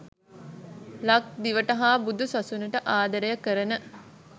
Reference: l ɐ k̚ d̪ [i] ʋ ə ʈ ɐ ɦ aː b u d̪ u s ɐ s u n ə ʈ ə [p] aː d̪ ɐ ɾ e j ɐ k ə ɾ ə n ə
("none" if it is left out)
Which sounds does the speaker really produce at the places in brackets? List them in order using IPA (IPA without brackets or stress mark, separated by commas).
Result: i, ʔ